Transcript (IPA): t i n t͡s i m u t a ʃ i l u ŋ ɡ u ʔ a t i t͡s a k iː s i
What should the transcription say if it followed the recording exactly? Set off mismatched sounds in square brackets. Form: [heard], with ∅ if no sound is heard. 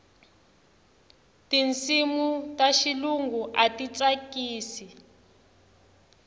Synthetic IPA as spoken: t i n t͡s i m u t a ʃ i l u ŋ ɡ u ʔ a t i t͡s a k iː s i